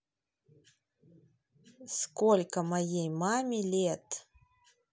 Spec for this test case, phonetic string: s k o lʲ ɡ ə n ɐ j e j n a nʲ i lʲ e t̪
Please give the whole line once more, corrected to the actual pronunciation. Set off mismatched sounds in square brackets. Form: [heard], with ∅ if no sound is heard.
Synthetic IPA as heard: s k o lʲ [k] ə [m] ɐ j e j [m] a [mʲ] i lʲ e t̪